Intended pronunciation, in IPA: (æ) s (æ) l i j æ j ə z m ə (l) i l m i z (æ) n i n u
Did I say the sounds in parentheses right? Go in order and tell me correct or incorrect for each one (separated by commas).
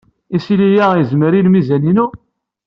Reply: incorrect, incorrect, incorrect, correct